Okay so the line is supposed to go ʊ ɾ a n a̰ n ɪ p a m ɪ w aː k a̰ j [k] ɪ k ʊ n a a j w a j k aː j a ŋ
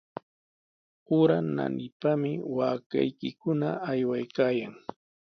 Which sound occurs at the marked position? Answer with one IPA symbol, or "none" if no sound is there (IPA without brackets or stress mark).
k